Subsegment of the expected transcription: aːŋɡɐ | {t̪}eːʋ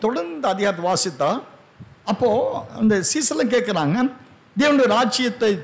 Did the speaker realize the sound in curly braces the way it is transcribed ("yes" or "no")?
no